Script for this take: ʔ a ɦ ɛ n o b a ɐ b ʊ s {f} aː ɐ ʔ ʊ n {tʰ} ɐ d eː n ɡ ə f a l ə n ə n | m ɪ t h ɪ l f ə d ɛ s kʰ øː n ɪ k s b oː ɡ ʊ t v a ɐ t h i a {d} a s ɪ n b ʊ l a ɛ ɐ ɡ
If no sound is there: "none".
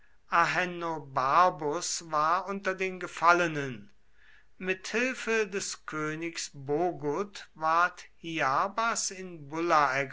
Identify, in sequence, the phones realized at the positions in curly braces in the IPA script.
v, t, b

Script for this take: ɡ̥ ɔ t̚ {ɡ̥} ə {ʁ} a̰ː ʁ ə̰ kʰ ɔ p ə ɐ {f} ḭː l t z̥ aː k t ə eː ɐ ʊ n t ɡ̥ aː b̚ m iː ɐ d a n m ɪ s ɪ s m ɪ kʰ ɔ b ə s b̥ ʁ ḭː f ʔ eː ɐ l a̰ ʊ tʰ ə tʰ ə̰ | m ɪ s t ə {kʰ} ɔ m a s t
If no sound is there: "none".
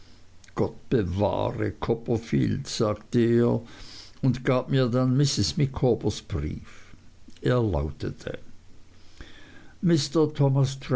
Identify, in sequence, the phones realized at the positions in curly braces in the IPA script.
b̥, v, f, tʰ

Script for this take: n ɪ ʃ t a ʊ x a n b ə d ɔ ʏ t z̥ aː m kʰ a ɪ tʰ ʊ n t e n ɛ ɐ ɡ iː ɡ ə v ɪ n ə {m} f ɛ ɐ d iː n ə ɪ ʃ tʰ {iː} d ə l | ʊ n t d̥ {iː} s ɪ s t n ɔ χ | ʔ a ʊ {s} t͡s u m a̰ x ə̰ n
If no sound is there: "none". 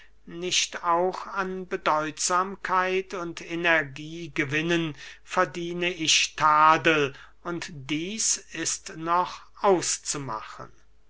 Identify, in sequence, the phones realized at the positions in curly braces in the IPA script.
n, aː, iː, s

